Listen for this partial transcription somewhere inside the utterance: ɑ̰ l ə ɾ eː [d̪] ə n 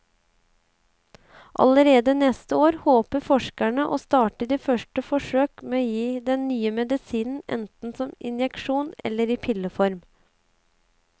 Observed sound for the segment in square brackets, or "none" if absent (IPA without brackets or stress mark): d̪